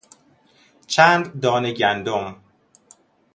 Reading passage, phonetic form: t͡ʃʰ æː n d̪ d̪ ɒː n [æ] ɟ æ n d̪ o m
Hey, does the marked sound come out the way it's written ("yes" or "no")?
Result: no